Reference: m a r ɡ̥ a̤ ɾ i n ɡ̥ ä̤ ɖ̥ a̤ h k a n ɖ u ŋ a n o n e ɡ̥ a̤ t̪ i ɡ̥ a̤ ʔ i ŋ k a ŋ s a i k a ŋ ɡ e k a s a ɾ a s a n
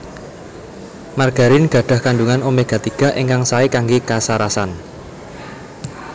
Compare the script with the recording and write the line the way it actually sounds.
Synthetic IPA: m a r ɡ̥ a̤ ɾ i n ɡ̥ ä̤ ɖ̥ a̤ h k a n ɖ u ŋ a n o m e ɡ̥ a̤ t̪ i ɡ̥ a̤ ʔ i ŋ k a ŋ s a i k a ŋ ɡ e k a s a ɾ a s a n